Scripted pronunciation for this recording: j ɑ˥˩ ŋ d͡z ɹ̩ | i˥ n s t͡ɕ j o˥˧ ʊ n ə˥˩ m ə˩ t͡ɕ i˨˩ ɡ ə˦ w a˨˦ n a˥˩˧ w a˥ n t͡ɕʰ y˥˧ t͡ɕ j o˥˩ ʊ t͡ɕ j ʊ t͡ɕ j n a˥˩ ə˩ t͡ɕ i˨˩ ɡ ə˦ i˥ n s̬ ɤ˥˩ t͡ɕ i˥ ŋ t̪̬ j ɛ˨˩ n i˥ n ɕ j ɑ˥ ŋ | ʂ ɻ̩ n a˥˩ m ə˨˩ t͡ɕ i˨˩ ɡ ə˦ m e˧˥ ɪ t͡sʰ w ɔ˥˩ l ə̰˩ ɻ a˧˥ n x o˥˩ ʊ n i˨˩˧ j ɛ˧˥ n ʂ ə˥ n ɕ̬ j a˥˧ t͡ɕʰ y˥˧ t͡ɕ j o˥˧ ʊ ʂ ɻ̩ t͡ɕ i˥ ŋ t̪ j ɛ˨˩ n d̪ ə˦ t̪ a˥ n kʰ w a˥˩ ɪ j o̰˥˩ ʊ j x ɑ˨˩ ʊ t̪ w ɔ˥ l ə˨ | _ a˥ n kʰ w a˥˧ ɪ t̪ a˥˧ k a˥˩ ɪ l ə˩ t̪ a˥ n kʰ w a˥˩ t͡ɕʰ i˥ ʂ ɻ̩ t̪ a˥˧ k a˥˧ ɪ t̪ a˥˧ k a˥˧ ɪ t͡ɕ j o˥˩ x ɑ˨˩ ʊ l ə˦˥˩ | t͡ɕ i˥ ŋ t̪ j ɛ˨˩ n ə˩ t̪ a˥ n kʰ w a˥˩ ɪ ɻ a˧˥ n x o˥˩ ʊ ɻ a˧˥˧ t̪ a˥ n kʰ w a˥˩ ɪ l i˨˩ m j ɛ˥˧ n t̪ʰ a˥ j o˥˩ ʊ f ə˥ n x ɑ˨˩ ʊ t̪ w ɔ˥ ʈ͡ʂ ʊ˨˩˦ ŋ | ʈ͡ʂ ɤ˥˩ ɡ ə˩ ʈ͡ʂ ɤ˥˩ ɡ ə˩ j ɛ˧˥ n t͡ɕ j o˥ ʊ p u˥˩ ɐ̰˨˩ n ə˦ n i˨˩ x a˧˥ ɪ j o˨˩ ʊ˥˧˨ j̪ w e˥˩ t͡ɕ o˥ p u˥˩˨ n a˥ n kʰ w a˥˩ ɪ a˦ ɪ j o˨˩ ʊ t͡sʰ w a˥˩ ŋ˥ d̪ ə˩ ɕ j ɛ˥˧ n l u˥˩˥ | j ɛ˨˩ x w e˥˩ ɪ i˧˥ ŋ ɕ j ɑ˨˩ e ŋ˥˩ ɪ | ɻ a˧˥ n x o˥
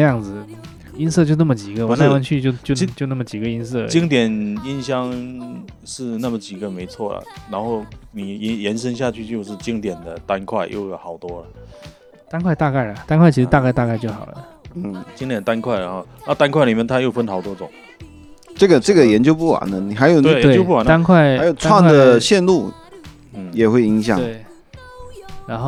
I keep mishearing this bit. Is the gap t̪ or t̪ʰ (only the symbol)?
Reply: t̪